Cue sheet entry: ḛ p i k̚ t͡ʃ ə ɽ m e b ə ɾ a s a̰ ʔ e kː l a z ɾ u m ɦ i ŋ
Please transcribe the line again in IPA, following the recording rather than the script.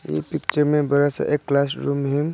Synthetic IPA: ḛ p i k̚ t͡ʃ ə ɾ m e b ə ɾ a s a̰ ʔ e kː l a s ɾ u m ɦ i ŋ